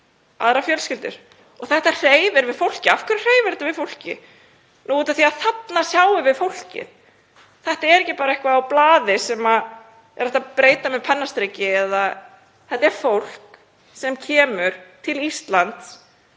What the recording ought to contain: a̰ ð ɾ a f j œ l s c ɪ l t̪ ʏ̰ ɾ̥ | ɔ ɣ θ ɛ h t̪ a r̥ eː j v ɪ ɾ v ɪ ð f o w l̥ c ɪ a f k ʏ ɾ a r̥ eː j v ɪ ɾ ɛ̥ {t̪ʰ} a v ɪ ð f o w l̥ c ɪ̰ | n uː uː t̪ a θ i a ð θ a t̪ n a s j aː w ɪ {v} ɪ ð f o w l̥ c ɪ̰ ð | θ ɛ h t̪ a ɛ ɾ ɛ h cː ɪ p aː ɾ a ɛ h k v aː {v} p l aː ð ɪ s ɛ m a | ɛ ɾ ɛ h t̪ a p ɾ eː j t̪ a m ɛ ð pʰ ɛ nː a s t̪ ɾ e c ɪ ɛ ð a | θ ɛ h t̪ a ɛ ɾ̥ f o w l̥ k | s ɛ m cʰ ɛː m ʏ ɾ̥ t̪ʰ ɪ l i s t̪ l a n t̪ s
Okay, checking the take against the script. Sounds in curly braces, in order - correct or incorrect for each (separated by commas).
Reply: incorrect, correct, incorrect